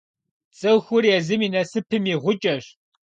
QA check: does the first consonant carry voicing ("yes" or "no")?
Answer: no